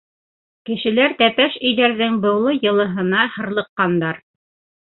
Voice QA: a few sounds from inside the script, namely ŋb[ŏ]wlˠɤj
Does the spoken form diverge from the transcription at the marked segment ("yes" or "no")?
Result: yes